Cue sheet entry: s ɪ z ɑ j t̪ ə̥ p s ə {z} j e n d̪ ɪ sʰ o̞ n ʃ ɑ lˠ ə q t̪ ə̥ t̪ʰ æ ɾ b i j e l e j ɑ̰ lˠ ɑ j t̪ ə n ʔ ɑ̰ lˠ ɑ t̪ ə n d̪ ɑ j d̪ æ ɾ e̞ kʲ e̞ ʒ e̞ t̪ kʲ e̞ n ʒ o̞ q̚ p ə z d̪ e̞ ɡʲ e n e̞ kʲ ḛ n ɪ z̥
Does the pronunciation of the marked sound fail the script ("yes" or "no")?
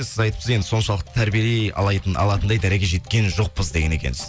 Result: no